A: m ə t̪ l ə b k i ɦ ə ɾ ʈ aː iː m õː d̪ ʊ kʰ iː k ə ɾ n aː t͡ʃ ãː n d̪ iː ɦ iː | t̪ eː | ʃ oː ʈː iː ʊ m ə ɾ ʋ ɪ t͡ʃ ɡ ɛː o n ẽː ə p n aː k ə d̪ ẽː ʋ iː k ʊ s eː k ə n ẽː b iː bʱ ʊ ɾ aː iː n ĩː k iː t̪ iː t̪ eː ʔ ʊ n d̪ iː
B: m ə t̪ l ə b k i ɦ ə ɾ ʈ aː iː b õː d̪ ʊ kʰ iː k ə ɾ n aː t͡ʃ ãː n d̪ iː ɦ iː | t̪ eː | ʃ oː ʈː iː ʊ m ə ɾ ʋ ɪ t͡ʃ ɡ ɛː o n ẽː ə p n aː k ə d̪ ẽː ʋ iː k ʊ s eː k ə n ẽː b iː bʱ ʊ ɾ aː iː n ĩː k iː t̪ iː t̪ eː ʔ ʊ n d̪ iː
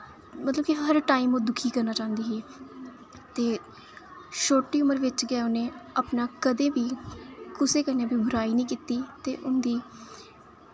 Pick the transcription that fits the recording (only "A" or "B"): A